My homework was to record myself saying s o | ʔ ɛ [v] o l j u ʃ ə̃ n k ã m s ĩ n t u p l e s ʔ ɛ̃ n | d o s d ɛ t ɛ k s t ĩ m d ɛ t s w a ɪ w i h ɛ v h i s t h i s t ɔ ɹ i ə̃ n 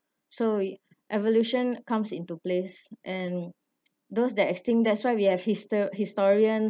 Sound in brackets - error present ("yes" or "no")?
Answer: no